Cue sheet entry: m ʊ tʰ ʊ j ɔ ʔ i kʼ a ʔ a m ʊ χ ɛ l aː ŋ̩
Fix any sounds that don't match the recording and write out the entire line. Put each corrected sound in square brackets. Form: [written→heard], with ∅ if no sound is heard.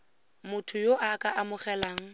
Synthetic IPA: m ʊ tʰ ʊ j [ɔ→o] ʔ [i→a] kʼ a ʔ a m ʊ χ ɛ l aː ŋ̩